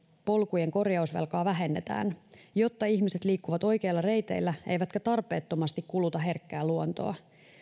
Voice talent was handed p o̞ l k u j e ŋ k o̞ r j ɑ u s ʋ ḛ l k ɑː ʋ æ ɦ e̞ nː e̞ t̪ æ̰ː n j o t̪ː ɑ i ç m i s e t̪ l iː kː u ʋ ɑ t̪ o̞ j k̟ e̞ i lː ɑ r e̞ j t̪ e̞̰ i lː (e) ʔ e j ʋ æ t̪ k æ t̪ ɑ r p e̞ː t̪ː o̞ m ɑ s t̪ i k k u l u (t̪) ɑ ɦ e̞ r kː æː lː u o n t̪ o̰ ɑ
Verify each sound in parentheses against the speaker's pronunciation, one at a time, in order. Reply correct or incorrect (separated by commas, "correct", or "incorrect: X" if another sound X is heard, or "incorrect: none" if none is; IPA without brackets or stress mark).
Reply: incorrect: æ, correct